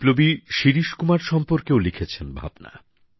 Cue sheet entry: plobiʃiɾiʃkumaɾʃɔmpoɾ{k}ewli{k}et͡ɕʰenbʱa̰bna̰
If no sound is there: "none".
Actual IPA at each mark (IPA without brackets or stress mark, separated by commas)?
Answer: k, kʰ